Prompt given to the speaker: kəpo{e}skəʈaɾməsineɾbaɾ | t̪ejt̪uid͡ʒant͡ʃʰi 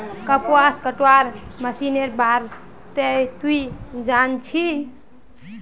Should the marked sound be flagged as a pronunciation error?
yes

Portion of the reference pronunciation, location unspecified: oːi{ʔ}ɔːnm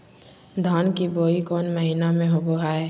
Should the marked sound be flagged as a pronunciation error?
yes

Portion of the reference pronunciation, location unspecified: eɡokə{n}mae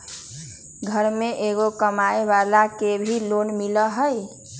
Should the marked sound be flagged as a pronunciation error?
yes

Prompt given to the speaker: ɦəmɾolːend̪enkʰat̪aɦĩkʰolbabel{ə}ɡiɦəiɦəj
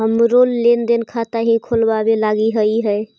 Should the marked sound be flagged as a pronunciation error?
yes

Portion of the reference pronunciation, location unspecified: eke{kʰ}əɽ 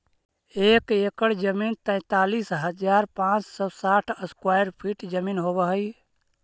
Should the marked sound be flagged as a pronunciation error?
yes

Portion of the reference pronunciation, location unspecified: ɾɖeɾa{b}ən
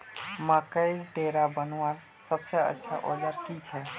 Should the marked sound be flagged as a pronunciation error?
no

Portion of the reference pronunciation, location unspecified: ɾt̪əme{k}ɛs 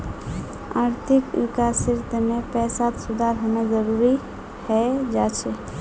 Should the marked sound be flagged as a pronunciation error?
yes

